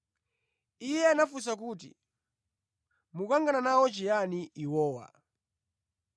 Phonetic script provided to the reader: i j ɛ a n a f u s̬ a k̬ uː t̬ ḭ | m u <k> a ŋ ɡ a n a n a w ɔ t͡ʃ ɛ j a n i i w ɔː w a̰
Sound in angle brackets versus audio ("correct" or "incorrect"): correct